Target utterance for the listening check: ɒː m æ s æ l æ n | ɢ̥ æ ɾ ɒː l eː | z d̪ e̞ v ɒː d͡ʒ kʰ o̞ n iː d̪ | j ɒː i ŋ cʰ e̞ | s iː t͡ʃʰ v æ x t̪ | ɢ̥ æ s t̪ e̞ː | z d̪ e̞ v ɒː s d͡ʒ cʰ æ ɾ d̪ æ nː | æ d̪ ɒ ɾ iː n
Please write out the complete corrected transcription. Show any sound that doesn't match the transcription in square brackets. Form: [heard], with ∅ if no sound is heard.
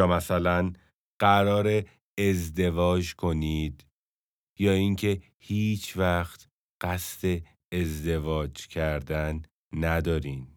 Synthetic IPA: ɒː m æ s æ l æ n | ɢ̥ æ ɾ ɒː [ɾ] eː | z d̪ e̞ v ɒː d͡ʒ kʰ o̞ n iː d̪ | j ɒː i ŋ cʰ e̞ | [h] iː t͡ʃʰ v æ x t̪ | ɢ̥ æ s t̪ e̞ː | z d̪ e̞ v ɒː [∅] d͡ʒ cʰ æ ɾ d̪ æ nː | æ d̪ [ɒː] ɾ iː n